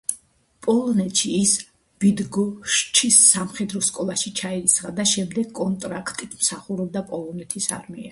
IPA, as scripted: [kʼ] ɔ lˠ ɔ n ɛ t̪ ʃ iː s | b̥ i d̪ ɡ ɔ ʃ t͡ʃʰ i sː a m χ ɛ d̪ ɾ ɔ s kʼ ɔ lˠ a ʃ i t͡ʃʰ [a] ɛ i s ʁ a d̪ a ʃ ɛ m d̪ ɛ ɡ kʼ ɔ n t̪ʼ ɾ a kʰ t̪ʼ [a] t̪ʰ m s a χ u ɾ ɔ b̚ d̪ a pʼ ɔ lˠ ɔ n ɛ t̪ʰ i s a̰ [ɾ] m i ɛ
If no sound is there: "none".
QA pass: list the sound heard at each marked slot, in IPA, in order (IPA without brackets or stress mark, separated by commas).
pʼ, a, i, ɾ